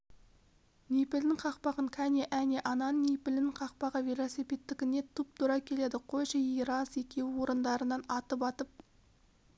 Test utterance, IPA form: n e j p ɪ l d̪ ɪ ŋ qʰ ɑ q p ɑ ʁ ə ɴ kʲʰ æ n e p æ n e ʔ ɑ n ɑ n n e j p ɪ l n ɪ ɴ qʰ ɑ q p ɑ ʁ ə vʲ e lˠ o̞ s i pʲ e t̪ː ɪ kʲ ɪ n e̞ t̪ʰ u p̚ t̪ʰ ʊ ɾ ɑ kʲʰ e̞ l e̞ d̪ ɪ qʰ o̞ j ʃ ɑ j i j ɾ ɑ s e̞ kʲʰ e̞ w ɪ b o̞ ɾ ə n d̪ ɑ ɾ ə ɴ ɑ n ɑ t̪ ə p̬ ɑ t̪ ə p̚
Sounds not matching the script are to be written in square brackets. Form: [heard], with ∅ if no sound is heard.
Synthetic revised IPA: n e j p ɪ l d̪ ɪ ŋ qʰ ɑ q p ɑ ʁ ə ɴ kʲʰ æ n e [ʔ] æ n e ʔ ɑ n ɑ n n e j p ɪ l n ɪ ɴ qʰ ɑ q p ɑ ʁ ə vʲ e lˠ o̞ s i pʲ e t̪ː ɪ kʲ ɪ n e̞ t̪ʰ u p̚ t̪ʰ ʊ ɾ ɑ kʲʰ e̞ l e̞ d̪ ɪ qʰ o̞ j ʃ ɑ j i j ɾ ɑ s e̞ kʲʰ e̞ w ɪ [w] o̞ ɾ ə n d̪ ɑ ɾ ə [n] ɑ n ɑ t̪ ə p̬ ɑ t̪ ə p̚

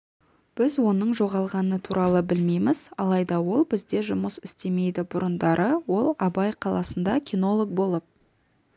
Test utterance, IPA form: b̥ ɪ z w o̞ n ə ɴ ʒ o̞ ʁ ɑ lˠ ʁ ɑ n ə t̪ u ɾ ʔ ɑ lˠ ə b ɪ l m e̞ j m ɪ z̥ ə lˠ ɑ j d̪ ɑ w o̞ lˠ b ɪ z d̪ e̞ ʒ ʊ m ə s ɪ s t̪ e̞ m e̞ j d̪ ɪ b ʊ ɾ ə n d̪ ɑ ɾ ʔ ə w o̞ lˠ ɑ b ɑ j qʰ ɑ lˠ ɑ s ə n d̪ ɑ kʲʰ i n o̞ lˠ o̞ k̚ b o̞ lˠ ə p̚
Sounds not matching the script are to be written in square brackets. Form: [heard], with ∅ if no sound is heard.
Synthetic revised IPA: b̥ ɪ z w o̞ n ə ɴ ʒ o̞ ʁ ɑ lˠ ʁ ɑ n ə [t̪ʰ] u ɾ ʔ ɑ lˠ ə b ɪ l m e̞ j m ɪ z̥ [ɑ] lˠ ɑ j d̪ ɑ w o̞ lˠ b ɪ z d̪ e̞ ʒ ʊ m ə s ɪ s t̪ e̞ m e̞ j d̪ ɪ b ʊ ɾ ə n d̪ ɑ ɾ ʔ ə w o̞ lˠ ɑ b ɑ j qʰ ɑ lˠ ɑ s ə n d̪ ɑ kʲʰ i n o̞ lˠ o̞ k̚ b o̞ lˠ ə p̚

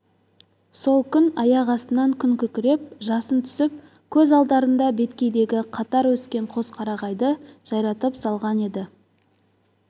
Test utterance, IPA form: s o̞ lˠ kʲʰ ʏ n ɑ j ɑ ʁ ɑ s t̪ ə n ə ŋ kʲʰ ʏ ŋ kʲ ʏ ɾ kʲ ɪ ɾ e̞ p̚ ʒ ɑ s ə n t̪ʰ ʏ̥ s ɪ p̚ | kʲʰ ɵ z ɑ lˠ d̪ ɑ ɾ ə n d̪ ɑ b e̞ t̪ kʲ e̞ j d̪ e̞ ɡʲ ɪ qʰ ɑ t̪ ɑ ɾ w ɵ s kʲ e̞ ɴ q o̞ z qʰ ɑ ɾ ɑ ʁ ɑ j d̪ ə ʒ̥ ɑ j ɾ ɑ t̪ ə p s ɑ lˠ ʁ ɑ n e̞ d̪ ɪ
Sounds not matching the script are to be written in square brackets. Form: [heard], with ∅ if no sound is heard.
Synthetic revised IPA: s o̞ lˠ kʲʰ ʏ n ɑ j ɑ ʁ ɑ s t̪ ə n [ɑ] ŋ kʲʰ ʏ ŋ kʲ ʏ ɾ kʲ ɪ ɾ e̞ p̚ ʒ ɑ s ə n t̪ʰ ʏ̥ s ɪ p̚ | kʲʰ ɵ z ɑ lˠ d̪ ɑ ɾ ə n d̪ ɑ b e̞ t̪ kʲ e̞ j d̪ e̞ ɡʲ ɪ qʰ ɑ t̪ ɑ ɾ w ɵ s kʲ e̞ ɴ [qʰ] o̞ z qʰ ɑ ɾ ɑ ʁ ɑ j d̪ ə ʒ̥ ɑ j ɾ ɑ t̪ ə p s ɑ lˠ ʁ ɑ n e̞ d̪ ɪ

